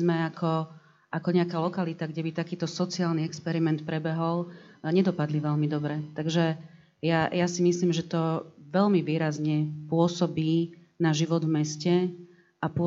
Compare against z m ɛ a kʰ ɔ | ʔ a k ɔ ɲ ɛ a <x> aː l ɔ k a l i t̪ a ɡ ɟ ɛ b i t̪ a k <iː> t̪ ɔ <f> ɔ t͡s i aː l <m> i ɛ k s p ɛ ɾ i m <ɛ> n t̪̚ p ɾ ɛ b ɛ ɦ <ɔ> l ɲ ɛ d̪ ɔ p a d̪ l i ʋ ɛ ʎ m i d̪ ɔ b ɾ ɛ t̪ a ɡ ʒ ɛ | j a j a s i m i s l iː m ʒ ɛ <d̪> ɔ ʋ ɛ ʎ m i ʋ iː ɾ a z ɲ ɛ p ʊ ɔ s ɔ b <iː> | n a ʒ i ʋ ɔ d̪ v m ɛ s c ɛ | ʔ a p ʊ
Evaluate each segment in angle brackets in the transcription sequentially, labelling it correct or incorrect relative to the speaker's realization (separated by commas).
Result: incorrect, correct, incorrect, incorrect, correct, correct, incorrect, correct